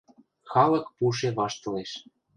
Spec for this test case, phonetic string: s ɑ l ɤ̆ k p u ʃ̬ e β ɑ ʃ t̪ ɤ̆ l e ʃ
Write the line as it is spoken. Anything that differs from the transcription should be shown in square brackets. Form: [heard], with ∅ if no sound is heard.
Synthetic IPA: [x] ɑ l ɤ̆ k p u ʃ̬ e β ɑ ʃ t̪ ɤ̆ l e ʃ